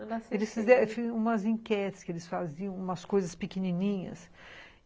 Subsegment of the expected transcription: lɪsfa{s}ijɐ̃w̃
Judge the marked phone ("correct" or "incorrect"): incorrect